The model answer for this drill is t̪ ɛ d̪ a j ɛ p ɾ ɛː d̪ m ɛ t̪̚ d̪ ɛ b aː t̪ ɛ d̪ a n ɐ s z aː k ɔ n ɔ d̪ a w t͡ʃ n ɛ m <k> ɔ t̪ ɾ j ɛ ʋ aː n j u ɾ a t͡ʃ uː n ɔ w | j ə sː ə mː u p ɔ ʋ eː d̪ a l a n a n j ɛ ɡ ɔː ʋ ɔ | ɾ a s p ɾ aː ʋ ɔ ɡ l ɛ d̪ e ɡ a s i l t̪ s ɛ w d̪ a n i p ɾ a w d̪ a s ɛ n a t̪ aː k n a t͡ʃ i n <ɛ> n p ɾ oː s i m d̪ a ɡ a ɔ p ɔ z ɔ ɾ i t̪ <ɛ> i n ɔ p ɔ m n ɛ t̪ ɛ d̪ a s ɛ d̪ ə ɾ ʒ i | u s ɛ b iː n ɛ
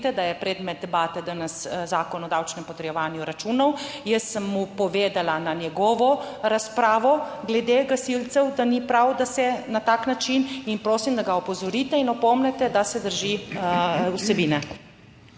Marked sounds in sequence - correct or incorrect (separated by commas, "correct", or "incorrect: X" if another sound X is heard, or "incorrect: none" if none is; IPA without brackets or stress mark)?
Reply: incorrect: p, incorrect: i, correct